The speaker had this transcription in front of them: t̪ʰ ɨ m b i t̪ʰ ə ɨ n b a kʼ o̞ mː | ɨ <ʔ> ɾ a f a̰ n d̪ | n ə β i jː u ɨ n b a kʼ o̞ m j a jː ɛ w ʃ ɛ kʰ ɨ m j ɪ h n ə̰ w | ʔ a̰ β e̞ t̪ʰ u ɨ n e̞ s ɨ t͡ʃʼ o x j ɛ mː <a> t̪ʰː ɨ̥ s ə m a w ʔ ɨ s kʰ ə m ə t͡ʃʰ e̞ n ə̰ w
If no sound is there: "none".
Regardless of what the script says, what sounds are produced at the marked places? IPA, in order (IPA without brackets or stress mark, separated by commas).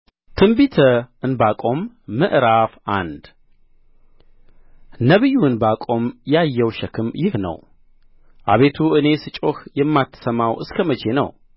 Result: ʔ, a